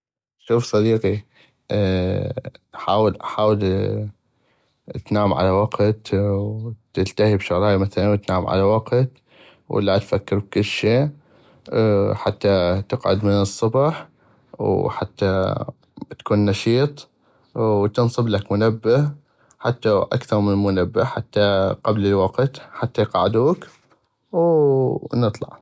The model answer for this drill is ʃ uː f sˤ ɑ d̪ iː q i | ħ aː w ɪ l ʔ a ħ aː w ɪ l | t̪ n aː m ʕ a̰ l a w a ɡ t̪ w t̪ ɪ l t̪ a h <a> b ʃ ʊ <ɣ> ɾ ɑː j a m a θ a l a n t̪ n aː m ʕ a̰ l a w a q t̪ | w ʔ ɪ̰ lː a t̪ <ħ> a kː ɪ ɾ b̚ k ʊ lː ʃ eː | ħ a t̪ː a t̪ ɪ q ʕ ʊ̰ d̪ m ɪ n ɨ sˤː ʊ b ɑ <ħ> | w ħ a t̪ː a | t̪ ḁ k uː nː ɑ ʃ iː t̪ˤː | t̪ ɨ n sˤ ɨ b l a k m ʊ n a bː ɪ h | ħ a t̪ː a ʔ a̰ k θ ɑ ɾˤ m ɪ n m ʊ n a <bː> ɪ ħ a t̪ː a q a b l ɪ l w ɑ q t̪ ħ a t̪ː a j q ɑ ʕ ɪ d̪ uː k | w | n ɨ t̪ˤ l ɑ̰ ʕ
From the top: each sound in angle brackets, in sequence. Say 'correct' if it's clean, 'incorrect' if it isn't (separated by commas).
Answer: incorrect, correct, incorrect, correct, correct